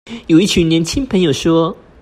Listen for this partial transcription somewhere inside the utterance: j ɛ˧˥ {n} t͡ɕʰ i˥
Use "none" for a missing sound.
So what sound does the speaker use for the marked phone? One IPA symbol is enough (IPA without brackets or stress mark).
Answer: n